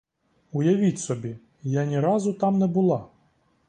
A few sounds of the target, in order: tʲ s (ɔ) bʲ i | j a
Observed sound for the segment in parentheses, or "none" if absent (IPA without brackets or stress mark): ɔ